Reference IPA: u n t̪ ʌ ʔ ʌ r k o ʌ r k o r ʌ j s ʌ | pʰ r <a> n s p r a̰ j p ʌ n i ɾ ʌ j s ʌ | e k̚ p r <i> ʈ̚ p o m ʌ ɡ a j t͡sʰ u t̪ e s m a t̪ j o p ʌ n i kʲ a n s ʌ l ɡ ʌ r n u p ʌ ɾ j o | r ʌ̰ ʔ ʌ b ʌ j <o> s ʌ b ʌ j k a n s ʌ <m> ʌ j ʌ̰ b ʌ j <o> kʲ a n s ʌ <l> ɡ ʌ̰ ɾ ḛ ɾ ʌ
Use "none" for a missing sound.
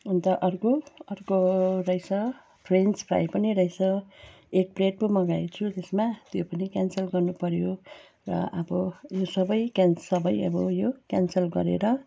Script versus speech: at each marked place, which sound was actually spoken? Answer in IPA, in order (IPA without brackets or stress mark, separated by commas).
e, e, o, b, o, l